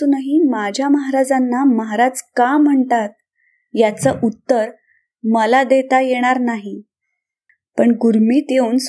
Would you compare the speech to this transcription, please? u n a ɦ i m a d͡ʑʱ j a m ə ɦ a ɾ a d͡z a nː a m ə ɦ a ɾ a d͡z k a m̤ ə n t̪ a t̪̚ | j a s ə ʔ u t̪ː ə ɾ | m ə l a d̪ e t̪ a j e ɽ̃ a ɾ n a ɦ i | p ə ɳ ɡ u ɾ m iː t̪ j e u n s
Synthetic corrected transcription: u n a ɦ i m a d͡ʑʱ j a m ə ɦ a ɾ a d͡z a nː a m ə ɦ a ɾ a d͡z k a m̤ ə ɳ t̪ a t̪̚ | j a t͡s ə ʔ u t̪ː ə ɾ | m ə l a d̪ e t̪ a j e ɽ̃ a ɾ n a ɦ i | p ə ɳ ɡ u ɾ m iː t̪ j e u n s